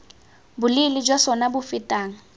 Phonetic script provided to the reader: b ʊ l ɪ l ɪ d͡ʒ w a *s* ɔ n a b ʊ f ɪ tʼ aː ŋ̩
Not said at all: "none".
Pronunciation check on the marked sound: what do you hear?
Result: s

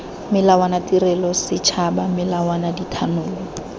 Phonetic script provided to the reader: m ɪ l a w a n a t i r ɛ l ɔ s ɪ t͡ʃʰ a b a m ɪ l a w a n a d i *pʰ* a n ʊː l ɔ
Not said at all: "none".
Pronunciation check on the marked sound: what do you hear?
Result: tʰ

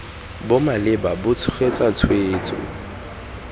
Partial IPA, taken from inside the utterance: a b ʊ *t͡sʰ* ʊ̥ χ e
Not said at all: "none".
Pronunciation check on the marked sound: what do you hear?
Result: t͡sʰ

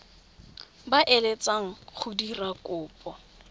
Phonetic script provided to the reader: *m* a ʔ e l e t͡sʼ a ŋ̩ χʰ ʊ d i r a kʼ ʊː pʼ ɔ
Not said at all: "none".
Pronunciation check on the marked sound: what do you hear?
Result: b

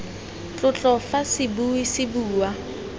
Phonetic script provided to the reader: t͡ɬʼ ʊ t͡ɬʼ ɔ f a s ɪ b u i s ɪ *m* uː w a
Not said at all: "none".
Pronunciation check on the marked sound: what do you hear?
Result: b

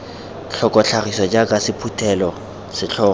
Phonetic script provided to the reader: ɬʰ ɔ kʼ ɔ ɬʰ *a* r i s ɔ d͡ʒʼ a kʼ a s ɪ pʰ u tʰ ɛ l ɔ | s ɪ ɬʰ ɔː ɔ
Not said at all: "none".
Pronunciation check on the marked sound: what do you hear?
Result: a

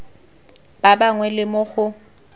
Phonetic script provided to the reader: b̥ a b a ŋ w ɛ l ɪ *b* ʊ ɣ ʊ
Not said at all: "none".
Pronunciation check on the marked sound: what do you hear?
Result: m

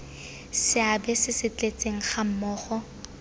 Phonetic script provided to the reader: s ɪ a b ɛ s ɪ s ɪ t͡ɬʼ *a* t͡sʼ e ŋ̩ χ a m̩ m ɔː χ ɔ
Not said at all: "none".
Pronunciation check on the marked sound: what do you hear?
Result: e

